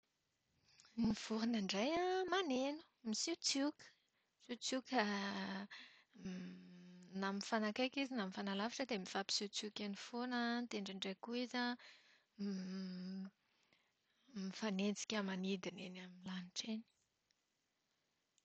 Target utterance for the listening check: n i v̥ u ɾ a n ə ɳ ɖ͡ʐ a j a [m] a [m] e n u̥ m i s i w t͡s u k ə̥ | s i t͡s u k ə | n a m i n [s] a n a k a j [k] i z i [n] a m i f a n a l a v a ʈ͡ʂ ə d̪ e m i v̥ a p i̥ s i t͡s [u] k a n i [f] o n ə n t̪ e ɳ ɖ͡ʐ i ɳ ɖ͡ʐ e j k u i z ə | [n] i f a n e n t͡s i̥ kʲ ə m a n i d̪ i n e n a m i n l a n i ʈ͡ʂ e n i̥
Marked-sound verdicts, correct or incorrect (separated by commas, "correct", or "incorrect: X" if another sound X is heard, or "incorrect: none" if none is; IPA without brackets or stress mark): correct, incorrect: n, incorrect: f, correct, correct, correct, correct, incorrect: m